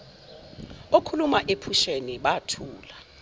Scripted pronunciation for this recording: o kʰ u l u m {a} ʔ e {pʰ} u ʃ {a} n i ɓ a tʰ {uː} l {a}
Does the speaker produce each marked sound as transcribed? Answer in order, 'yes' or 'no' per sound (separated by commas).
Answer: yes, yes, no, yes, yes